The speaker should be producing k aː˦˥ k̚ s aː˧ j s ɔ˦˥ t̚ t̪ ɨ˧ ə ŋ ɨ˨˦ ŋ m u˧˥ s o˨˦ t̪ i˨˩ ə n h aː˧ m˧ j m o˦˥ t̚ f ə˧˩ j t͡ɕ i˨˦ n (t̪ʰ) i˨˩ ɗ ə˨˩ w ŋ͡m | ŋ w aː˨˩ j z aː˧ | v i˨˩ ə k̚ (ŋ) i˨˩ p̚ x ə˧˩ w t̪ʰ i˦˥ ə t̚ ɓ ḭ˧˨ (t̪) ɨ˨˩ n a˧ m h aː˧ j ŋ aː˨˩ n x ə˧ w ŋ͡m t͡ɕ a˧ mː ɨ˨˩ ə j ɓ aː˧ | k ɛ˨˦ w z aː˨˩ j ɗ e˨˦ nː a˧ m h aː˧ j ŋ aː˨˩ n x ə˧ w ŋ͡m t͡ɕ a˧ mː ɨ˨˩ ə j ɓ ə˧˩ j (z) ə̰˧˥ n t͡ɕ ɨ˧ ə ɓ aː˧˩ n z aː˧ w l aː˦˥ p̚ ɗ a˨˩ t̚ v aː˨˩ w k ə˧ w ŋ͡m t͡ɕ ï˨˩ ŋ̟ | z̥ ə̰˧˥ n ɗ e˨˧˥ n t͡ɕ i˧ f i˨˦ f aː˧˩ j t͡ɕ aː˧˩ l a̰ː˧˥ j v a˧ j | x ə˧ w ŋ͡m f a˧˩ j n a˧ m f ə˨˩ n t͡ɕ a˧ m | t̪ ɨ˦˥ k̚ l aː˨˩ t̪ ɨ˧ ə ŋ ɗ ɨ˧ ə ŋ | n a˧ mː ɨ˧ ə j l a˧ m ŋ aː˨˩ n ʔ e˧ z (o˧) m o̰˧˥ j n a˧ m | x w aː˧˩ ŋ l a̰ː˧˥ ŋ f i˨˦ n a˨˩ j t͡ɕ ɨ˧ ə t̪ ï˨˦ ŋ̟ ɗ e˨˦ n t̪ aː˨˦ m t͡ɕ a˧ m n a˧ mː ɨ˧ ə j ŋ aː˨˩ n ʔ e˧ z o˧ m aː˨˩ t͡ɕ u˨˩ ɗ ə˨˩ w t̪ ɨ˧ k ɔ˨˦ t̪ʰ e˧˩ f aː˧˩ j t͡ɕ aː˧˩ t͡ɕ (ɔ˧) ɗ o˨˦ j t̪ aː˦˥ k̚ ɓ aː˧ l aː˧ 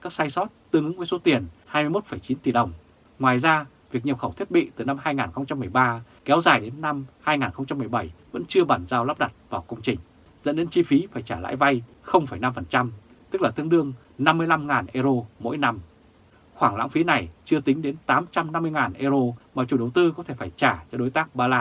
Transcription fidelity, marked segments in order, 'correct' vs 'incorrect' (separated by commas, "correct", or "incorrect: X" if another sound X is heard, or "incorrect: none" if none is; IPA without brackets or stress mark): incorrect: t̪, incorrect: ɲ, correct, incorrect: v, correct, correct